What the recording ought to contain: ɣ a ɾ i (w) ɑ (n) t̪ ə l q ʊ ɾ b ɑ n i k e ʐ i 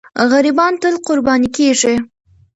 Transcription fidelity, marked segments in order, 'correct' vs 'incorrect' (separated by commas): incorrect, correct